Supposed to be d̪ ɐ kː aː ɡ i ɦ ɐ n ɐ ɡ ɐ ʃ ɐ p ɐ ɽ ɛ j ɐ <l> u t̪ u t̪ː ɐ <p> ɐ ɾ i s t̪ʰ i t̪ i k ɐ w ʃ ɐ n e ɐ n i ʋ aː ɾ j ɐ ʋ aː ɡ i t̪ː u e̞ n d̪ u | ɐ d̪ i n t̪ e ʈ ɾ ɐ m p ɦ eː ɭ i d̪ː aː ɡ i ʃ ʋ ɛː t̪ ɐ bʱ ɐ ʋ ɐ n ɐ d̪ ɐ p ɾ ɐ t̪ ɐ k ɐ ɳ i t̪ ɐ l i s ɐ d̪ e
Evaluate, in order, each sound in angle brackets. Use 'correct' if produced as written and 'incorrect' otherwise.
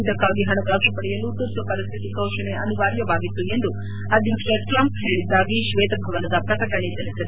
correct, correct

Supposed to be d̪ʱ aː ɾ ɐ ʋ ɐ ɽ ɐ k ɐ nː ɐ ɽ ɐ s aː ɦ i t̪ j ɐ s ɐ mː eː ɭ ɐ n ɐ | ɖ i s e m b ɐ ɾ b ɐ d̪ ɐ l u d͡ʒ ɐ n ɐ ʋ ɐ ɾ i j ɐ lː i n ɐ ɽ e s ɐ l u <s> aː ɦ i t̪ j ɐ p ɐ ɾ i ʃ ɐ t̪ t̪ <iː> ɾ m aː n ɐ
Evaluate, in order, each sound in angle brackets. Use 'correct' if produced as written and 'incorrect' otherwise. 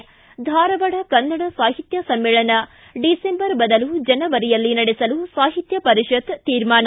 correct, correct

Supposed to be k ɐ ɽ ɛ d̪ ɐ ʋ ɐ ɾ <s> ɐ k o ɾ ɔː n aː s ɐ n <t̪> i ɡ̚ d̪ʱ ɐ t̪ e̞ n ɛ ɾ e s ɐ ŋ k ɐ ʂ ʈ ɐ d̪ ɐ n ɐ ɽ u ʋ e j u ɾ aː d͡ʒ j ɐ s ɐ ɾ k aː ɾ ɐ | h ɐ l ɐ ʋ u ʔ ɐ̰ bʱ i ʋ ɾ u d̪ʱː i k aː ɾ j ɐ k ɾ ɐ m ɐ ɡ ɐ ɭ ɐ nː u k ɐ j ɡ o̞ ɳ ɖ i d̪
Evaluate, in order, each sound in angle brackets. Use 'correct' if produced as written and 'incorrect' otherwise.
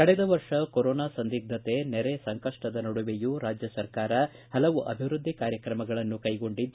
incorrect: ʂ, incorrect: d̪

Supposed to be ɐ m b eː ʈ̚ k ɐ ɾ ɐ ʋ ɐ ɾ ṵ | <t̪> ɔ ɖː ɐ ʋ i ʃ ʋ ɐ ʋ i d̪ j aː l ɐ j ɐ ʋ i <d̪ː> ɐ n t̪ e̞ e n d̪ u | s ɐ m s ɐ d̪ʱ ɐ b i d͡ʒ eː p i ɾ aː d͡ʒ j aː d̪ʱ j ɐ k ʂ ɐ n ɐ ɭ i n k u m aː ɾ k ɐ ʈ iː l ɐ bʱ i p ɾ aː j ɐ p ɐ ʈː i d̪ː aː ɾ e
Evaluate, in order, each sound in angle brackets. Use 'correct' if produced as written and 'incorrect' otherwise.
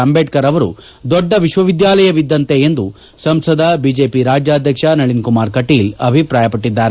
incorrect: d̪, correct

